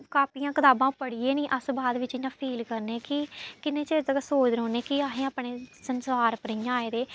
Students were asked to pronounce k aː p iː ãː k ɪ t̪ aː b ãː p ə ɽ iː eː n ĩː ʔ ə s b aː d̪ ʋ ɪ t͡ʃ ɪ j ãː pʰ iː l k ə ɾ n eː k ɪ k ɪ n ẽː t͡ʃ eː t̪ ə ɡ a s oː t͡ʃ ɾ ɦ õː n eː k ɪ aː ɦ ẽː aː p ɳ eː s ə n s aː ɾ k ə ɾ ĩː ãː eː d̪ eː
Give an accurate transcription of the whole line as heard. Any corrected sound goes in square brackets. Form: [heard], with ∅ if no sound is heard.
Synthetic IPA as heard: k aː p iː ãː k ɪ t̪ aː b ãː p ə ɽ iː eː n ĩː ʔ ə s b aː d̪ ʋ ɪ t͡ʃ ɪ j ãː pʰ iː l k ə ɾ n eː k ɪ k ɪ n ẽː t͡ʃ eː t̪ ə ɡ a s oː t͡ʃ ɾ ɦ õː n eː k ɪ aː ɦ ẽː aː p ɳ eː s ə n s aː ɾ [p] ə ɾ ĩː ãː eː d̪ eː